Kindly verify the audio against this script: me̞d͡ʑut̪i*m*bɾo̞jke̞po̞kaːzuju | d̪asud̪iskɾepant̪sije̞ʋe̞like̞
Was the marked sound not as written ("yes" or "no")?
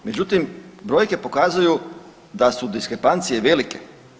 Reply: no